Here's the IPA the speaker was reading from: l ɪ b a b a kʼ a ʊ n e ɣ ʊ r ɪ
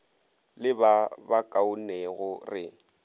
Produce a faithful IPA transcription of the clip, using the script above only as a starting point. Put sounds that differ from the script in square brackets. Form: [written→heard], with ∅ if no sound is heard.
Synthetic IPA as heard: l ɪ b a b a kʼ a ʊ n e ɣ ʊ r ɪ